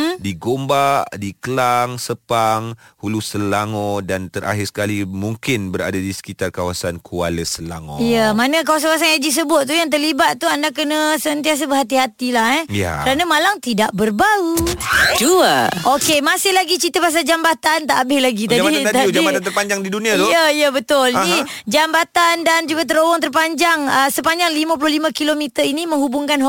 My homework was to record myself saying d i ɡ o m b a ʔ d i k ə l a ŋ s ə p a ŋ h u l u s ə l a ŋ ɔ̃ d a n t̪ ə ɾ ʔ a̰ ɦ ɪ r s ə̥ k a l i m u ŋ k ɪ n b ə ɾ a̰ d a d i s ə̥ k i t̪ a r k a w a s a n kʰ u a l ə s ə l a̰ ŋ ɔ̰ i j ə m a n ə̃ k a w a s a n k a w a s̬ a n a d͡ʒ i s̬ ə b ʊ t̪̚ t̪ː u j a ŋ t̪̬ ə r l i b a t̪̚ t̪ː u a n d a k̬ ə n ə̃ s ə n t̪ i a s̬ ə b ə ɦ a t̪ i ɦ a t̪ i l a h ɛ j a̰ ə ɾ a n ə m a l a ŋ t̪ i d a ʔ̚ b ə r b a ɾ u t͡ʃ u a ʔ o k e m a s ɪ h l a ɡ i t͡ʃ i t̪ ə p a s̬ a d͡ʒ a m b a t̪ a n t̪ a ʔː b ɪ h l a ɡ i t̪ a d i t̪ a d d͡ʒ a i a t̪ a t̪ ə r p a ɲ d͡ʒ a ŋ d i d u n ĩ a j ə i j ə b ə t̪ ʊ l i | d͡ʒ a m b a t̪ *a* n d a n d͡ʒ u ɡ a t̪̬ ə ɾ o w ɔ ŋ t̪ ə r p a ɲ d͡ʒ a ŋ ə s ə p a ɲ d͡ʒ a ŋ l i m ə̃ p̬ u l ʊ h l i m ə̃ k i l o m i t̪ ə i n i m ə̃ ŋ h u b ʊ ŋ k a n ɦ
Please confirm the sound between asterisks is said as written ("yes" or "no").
yes